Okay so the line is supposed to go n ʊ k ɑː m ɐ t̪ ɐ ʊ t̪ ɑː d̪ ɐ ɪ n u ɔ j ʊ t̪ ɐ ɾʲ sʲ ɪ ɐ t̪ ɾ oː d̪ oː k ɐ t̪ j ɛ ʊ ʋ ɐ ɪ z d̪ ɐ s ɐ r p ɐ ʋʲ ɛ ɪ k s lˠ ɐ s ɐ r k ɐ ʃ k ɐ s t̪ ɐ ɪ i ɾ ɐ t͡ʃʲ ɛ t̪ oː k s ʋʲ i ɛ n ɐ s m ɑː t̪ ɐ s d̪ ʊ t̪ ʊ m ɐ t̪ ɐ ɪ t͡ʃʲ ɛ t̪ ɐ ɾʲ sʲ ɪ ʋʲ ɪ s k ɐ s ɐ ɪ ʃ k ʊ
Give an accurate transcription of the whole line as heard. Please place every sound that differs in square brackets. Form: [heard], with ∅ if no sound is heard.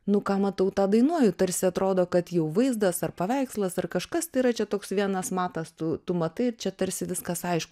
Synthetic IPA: n ʊ k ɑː m ɐ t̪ ɐ ʊ t̪ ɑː d̪ ɐ ɪ n u ɔ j ʊ t̪ ɐ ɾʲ sʲ ɪ ɐ t̪ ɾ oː d̪ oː k ɐ t̪ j ɛ ʊ ʋ ɐ ɪ z d̪ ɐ s ɐ r p ɐ ʋʲ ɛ ɪ k s lˠ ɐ s ɐ r k ɐ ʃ k ɐ s t̪ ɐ ɪ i ɾ ɐ t͡ʃʲ ɛ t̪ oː k s ʋʲ i ɛ n ɐ s m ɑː t̪ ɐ s [t̪] ʊ t̪ ʊ m ɐ t̪ ɐ ɪ t͡ʃʲ ɛ t̪ ɐ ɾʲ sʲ ɪ ʋʲ ɪ s k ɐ s ɐ ɪ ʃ k ʊ